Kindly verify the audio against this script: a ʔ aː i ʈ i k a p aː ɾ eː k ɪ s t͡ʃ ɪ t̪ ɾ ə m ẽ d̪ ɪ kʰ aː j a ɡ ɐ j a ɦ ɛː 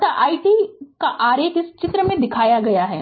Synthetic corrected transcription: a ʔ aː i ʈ i k a ʔ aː ɾ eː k ɪ s t͡ʃ ɪ t̪ ɾ ə m ẽ d̪ ɪ kʰ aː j a ɡ ɐ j a ɦ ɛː